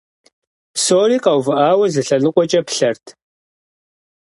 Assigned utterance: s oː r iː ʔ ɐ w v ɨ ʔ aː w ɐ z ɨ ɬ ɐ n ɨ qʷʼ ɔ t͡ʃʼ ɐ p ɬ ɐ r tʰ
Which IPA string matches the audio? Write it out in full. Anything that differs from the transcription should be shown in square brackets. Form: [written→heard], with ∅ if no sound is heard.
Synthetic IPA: s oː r iː [ʔ→q] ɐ w v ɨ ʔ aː w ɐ z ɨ ɬ ɐ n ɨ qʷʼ ɔ t͡ʃʼ ɐ p ɬ ɐ r tʰ